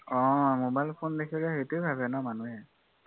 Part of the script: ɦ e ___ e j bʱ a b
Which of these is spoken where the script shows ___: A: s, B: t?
B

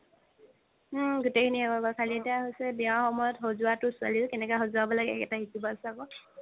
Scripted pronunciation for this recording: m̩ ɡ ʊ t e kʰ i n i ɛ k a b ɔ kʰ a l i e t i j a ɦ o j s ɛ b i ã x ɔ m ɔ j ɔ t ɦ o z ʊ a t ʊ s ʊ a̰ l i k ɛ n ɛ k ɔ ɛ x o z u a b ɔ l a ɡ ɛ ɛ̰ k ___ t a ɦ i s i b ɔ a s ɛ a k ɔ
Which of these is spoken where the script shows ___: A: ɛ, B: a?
A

